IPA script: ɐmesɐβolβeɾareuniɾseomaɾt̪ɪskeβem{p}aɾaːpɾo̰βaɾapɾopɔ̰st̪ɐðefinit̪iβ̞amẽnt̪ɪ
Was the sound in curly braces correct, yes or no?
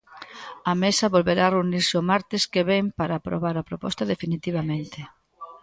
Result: yes